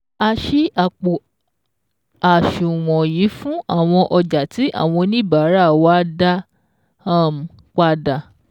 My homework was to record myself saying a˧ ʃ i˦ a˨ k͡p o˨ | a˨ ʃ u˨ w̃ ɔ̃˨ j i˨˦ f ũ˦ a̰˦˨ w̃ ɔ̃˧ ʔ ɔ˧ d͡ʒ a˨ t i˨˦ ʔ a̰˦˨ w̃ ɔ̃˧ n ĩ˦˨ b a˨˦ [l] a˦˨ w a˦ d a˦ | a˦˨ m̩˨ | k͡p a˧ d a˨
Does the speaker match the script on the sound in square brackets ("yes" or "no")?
no